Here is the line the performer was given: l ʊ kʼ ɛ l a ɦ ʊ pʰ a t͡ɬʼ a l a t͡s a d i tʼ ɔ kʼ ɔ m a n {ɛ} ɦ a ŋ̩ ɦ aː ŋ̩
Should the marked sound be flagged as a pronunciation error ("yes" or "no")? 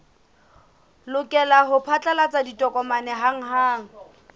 no